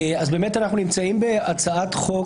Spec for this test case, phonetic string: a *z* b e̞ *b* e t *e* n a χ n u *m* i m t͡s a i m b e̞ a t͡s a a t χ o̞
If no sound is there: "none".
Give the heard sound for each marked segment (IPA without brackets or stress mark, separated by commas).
z, m, a, n